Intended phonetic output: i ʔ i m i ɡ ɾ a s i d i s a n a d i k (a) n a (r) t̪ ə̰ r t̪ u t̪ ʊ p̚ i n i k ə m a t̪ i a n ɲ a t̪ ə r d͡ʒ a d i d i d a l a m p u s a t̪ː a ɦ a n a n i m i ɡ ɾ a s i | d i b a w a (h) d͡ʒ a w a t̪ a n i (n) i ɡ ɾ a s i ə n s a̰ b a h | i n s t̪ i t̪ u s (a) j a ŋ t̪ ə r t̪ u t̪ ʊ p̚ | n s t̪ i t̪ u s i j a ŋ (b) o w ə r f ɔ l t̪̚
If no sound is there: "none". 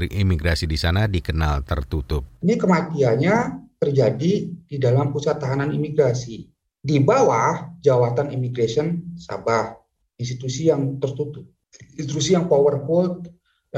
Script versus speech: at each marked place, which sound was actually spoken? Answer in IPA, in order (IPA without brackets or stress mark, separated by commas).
ə, l, h, m, i, p